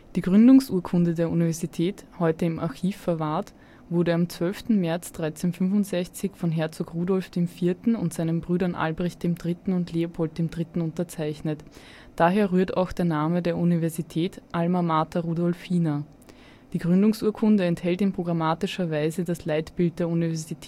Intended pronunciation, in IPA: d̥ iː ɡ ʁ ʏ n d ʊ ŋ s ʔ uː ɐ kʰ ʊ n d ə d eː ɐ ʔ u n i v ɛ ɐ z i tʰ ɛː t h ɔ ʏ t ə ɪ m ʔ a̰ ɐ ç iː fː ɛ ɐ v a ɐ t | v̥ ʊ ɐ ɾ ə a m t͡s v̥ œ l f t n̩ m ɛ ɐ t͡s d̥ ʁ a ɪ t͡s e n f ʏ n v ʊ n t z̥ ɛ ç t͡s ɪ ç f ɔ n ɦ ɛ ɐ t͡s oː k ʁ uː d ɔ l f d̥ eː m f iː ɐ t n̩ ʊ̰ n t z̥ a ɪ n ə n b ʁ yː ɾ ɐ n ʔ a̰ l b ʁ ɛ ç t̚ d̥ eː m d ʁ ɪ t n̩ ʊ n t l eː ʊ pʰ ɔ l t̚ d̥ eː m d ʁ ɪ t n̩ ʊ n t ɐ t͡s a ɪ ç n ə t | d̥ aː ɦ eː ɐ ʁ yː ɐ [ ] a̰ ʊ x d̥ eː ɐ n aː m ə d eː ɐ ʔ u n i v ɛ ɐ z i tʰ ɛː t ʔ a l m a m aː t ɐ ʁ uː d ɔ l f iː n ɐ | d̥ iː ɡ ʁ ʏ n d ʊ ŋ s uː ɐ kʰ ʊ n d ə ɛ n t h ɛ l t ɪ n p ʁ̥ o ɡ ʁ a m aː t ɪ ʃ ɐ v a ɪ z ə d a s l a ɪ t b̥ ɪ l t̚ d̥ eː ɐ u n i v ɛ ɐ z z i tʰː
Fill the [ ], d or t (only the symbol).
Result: t